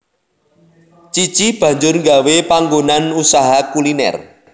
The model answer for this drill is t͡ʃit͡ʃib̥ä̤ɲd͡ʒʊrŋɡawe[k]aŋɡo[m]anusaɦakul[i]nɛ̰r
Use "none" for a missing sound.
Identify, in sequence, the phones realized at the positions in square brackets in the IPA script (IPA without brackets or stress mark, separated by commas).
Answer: p, n, i